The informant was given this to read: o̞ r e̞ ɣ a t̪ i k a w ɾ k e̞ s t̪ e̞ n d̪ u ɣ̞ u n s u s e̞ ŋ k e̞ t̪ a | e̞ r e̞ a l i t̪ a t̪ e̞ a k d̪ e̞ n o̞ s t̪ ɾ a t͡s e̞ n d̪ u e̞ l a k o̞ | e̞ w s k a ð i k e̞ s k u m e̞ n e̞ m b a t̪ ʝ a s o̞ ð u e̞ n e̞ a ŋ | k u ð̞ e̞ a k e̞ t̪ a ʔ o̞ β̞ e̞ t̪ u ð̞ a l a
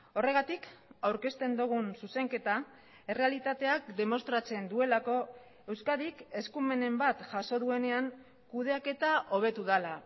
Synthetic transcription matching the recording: o̞ r e̞ ɣ a t̪ i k a w ɾ k e̞ s t̪ e̞ n d̪ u ɣ̞ u n s u s e̞ ŋ k e̞ t̪ a | e̞ r e̞ a l i t̪ a t̪ e̞ a k d̪ e̞ m o̞ s t̪ ɾ a t͡s e̞ n d̪ u e̞ l a k o̞ | e̞ w s k a ð i k e̞ s k u m e̞ n e̞ m b a t̪ ʝ a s o̞ ð u e̞ n e̞ a ŋ | k u ð̞ e̞ a k e̞ t̪ a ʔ o̞ β̞ e̞ t̪ u ð̞ a l a